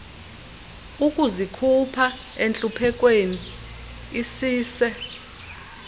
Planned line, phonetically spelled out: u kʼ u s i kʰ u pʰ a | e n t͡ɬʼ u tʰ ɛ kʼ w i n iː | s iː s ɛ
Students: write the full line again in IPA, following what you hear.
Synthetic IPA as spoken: u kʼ u z i kʰ u pʰ a | e n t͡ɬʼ u pʰ ɛ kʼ w e n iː | s iː s ɛ

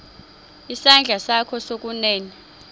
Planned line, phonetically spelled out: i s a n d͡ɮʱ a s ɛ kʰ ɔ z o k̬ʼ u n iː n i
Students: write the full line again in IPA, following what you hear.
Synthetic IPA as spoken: i s a n d͡ɮʱ a s a kʰ ɔ s o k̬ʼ u n ɛː n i

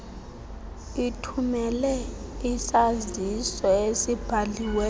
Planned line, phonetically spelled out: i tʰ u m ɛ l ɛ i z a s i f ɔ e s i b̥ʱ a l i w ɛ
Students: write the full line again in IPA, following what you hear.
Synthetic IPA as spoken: i tʰ u m ɛ l ɛ i s a z i s ɔ e s i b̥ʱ a l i w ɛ

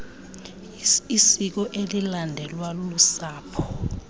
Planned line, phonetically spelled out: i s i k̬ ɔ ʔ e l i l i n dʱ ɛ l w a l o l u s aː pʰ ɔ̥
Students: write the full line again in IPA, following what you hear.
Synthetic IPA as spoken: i s i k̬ ɔ ʔ e l i l a n dʱ ɛ l w a l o l u s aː pʰ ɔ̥

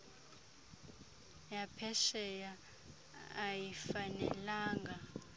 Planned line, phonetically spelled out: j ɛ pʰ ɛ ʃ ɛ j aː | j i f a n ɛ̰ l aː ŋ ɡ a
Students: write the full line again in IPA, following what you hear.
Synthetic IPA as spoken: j a pʰ ɛ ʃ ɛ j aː | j i f a n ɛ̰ l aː ŋ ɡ a

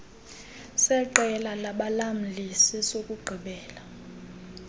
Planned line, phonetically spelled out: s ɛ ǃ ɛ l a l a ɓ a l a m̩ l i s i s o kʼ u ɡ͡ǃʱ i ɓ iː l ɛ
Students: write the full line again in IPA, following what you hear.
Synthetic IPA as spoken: s ɛ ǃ ɛ l a l a ɓ a l a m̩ l i s i s o kʼ u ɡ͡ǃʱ i ɓ ɛː l a

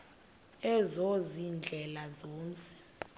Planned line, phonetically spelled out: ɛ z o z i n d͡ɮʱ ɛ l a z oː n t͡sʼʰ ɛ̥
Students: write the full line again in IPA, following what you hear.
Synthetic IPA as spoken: ɛ z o z i n d͡ɮʱ ɛ l a z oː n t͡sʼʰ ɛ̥

